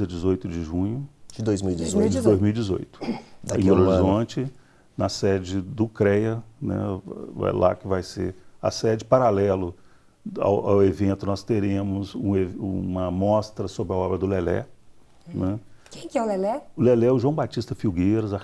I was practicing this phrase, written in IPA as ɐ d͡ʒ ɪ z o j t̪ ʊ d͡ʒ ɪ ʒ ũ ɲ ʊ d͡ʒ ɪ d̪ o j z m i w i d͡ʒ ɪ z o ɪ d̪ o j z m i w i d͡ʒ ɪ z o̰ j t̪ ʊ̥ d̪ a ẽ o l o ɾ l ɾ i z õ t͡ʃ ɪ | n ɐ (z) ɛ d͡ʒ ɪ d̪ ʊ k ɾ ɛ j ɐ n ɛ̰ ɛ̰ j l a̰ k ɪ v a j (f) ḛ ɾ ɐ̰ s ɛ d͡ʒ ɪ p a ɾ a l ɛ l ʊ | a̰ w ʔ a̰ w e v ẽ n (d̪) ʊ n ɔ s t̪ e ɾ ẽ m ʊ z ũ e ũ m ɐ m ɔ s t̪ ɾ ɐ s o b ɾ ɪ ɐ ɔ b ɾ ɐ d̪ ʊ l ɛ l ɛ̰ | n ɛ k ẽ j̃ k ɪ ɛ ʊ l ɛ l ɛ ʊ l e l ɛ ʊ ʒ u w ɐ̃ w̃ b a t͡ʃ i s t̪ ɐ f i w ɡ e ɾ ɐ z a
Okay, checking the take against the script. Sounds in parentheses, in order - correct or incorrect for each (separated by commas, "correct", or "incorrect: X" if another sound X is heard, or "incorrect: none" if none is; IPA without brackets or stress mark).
incorrect: s, incorrect: s, incorrect: t̪